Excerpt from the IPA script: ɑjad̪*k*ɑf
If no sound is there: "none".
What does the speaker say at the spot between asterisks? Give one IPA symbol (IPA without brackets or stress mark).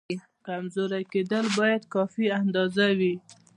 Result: k